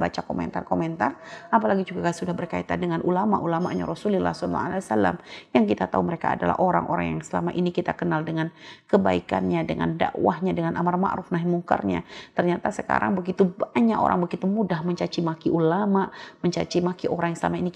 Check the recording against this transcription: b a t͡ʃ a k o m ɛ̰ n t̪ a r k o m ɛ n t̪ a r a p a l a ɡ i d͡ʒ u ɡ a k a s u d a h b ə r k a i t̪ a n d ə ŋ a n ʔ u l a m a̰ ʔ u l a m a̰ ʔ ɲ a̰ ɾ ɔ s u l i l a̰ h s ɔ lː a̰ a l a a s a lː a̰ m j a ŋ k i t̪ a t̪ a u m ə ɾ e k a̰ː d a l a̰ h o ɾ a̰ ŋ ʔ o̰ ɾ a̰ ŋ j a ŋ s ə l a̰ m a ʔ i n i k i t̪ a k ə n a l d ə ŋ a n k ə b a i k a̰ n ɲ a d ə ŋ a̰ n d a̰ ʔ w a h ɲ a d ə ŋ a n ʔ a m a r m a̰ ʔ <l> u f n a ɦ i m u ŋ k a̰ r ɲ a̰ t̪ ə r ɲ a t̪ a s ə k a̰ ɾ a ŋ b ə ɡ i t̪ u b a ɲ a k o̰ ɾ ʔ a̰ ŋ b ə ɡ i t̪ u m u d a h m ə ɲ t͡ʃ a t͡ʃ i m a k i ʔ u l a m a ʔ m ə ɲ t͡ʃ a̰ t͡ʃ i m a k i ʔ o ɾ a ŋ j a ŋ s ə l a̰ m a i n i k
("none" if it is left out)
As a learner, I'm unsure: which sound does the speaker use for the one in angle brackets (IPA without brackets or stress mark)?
ɾ